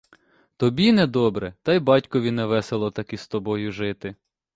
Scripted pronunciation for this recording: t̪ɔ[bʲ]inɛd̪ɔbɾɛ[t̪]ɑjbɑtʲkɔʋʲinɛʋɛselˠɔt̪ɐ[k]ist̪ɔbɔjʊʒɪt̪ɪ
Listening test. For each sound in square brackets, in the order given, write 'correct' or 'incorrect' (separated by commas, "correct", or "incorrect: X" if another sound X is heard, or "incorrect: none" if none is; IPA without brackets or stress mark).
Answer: correct, correct, correct